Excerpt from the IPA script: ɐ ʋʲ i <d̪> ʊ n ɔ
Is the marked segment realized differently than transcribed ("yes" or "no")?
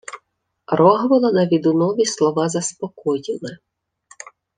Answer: no